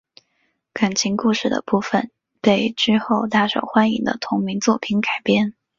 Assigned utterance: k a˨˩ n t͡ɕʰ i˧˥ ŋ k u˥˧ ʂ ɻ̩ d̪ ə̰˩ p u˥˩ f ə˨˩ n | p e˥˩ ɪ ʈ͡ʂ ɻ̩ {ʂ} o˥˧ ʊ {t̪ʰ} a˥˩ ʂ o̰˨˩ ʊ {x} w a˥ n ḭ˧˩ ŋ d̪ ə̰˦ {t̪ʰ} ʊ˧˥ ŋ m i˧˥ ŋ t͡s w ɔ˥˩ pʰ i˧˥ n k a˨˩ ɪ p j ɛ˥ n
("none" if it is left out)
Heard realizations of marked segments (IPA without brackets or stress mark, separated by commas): x, t̪, x, t̪ʰ